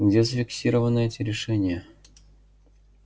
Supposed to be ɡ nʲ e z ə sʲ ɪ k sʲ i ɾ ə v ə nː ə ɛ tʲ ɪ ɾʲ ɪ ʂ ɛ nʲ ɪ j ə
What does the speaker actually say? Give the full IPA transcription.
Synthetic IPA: ɡ dʲ e z ə fʲ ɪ k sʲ i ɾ ə v ə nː ə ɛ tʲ ɪ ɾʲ ɪ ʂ ɛ nʲ ɪ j ə

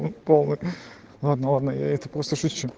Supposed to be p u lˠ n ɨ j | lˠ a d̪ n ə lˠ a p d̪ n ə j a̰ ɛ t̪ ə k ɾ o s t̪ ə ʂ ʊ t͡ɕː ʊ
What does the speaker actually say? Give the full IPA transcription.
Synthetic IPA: p o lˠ n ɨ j | lˠ a d̪ n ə lˠ a d̪ n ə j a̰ ɛ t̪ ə p ɾ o s t̪ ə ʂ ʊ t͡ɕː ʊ

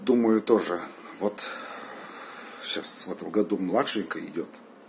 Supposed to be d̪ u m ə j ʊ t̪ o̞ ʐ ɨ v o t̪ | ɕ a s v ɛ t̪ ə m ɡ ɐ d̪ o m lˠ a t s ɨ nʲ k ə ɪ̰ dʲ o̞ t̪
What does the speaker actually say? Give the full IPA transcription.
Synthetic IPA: d̪ u m ə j ʊ t̪ o̞ ʐ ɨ v o t̪ | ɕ a s v ɛ t̪ ə m ɡ ɐ d̪ u m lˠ a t ʂ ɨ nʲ k ə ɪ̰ dʲ o̞ t̪

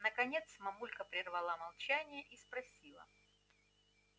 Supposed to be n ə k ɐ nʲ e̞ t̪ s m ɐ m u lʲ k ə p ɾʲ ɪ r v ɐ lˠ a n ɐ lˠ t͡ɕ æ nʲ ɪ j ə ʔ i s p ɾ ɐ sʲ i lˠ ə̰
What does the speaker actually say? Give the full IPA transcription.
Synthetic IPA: n ə k ɐ nʲ e̞ t̪ s m ɐ m u lʲ k ə p ɾʲ ɪ r v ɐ lˠ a m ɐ lˠ t͡ɕ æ nʲ ɪ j ə ʔ i s p ɾ ɐ sʲ i lˠ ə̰

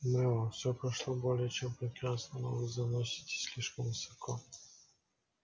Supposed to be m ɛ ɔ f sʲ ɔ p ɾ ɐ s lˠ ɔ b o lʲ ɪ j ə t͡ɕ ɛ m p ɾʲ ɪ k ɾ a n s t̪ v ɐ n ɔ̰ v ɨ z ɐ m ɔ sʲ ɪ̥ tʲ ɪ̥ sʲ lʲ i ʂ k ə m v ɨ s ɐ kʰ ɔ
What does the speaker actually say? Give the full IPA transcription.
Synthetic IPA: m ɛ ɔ f sʲ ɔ p ɾ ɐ ʂ lˠ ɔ b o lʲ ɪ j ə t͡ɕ ɛ m p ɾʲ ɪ k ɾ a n s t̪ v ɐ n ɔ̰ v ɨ z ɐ n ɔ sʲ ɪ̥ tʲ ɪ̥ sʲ lʲ i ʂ k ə m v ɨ s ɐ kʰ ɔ

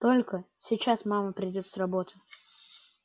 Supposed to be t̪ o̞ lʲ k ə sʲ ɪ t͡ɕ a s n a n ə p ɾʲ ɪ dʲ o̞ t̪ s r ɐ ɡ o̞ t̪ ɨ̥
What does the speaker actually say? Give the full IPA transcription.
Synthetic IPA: t̪ o̞ lʲ k ə sʲ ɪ t͡ɕ a s m a m ə p ɾʲ ɪ dʲ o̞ t̪ s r ɐ b o̞ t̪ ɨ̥

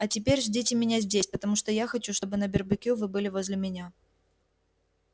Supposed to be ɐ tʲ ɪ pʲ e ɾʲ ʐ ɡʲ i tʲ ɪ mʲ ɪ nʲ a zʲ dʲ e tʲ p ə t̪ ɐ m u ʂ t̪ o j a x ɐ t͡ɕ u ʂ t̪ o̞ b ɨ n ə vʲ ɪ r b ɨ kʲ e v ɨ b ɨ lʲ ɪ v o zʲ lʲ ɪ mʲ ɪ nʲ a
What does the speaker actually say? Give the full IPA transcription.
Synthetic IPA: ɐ tʲ ɪ pʲ e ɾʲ ʐ dʲ i tʲ ɪ mʲ ɪ nʲ a zʲ dʲ e sʲ p ə t̪ ɐ m u ʂ t̪ o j a x ɐ t͡ɕ u ʂ t̪ o̞ b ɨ n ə bʲ ɪ r b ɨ kʲ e v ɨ b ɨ lʲ ɪ v o zʲ lʲ ɪ mʲ ɪ nʲ a

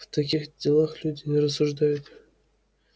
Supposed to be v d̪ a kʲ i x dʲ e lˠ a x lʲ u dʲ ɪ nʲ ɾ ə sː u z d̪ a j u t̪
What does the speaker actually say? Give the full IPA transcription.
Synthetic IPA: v t̪ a kʲ i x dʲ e lˠ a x lʲ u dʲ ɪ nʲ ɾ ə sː u ʐ d̪ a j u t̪

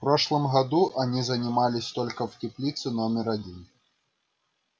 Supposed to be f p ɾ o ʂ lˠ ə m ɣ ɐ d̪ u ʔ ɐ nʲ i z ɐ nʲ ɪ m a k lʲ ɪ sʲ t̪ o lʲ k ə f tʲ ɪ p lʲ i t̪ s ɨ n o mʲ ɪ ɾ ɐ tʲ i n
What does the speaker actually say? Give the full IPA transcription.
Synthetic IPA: f p ɾ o ʂ lˠ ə m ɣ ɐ d̪ u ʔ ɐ nʲ i z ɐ nʲ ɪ m a lʲ ɪ sʲ t̪ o lʲ k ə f tʲ ɪ p lʲ i t̪ s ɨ n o mʲ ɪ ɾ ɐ dʲ i n

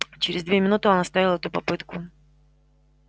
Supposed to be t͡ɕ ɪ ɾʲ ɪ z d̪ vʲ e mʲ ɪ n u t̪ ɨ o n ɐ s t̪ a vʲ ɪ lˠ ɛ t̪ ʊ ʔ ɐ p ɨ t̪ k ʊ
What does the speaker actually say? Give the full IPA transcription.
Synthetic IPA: t͡ɕ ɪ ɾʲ ɪ z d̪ vʲ e mʲ ɪ n u t̪ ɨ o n ɐ s t̪ a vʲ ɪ lˠ ɛ t̪ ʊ p ɐ p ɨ t̪ k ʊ

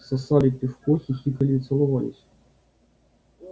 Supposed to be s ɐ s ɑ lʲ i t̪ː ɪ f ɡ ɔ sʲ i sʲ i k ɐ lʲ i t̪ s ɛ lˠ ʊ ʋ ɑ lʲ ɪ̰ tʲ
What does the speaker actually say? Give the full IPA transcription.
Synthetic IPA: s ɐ s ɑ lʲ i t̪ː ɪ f k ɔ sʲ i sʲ i k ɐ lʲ i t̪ s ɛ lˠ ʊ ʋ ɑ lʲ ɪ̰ sʲ

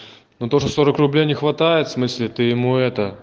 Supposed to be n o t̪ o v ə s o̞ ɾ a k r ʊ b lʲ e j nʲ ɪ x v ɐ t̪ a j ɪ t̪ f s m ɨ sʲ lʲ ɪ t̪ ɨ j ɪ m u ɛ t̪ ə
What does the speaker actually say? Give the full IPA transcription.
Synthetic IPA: n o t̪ o ʐ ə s o̞ ɾ ə k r ʊ b lʲ e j nʲ ɪ x v ɐ t̪ a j ɪ t̪ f s m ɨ sʲ lʲ ɪ t̪ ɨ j ɪ m u ɛ t̪ ə

